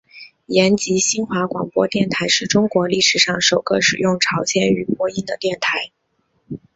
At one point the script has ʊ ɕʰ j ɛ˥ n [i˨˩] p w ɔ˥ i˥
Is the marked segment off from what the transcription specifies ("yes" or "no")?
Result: yes